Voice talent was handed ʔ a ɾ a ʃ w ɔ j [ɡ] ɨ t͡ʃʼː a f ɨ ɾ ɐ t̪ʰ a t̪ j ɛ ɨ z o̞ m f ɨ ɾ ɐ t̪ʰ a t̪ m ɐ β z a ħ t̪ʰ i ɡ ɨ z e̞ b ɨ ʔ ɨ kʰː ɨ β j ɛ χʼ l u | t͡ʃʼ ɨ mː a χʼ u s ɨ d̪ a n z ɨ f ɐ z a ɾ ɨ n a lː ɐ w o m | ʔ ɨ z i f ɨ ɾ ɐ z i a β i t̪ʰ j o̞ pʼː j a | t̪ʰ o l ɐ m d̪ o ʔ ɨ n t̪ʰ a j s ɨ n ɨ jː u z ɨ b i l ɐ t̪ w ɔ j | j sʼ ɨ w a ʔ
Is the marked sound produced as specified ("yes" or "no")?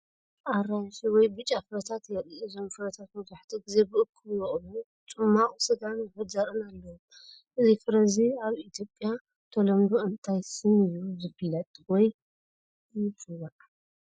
no